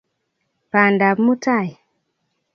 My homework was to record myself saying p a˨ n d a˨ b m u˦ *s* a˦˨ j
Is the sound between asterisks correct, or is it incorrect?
incorrect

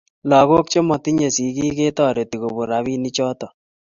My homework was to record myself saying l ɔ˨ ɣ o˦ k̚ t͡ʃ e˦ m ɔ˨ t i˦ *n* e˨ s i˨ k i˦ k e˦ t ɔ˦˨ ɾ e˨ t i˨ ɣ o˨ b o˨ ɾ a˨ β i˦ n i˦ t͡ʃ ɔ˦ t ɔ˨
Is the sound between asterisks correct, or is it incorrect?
incorrect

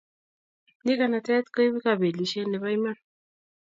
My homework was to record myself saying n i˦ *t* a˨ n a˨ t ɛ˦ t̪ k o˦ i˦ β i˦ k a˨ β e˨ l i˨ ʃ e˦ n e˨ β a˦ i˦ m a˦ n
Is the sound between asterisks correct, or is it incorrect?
incorrect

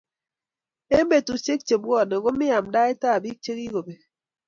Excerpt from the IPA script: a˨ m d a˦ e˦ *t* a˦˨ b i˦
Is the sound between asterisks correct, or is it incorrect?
correct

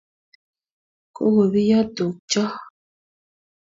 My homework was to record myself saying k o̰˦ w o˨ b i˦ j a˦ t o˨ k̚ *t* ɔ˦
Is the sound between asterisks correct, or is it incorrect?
incorrect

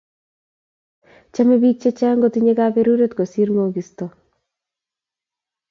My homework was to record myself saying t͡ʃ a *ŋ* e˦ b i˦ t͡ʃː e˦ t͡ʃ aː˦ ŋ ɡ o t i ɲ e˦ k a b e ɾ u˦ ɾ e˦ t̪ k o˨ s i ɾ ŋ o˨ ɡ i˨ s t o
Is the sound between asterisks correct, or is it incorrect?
incorrect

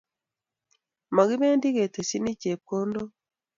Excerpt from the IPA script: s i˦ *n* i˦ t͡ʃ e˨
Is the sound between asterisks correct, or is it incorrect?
correct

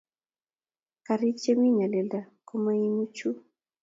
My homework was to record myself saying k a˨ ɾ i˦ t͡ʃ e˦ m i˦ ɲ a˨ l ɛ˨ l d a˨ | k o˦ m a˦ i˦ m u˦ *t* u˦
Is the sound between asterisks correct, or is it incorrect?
incorrect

